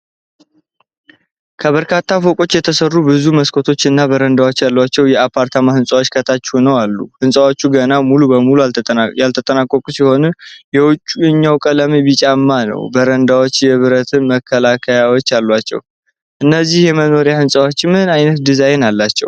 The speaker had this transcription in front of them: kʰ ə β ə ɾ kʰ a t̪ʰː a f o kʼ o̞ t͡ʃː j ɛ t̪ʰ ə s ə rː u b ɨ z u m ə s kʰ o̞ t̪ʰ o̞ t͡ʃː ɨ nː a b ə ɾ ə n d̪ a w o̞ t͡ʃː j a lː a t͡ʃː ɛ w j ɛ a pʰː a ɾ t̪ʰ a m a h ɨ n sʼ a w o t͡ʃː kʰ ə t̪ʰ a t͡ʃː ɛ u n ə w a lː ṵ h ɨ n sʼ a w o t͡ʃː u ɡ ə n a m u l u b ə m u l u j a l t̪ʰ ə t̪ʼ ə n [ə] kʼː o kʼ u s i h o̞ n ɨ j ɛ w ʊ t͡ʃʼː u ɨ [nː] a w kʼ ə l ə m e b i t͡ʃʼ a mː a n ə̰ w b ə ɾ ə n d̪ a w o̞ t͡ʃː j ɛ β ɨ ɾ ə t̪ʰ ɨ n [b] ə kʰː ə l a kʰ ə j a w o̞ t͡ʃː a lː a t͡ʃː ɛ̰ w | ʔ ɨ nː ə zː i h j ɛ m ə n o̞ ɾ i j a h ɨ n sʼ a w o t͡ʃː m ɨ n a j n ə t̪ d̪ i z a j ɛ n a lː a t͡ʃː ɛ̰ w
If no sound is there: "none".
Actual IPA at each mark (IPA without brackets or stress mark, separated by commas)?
a, ɲː, m